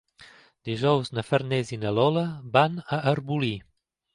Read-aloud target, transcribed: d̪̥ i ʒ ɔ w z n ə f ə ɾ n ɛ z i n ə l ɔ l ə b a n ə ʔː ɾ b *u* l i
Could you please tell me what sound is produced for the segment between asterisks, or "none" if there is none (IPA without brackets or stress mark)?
u